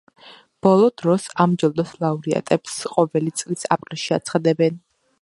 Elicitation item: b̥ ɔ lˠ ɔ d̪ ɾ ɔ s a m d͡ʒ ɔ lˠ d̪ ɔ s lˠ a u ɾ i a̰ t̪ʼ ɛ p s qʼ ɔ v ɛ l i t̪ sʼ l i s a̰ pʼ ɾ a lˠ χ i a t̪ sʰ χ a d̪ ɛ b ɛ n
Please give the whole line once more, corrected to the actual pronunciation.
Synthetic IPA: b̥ ɔ lˠ ɔ d̪ ɾ ɔ s a m d͡ʒ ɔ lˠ d̪ ɔ s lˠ a u ɾ i a̰ t̪ʼ ɛ p s qʼ ɔ v ɛ l i t̪ sʼ l i s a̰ pʼ ɾ i lˠ ʃ i a t̪ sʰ χ a d̪ ɛ b ɛ n